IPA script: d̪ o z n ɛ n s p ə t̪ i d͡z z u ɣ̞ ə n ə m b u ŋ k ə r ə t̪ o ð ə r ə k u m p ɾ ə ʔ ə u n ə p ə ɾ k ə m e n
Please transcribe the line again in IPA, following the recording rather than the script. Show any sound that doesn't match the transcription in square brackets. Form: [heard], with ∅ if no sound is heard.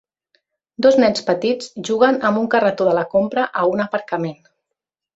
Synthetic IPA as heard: d̪ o z n ɛ n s p ə t̪ i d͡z [ʒ] u ɣ̞ ə n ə m b u ŋ k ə r ə t̪ o ð ə [l] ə k [o] m p ɾ ə ʔ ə u n ə p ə ɾ k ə m e n